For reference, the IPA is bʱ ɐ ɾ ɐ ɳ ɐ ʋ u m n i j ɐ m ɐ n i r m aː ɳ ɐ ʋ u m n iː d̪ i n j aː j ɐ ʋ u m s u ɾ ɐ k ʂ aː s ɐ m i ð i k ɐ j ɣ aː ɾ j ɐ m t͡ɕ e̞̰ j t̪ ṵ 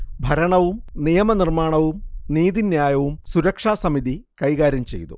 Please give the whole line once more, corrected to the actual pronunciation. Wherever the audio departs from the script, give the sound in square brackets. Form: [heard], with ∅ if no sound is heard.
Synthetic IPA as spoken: bʱ ɐ ɾ ɐ ɳ ɐ ʋ u m n i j ɐ m ɐ n i r m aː ɳ ɐ ʋ u m n iː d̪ i n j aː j ɐ ʋ u m s u ɾ ɐ k ʂ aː s ɐ m i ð i k ɐ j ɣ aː ɾ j ɐ m t͡ɕ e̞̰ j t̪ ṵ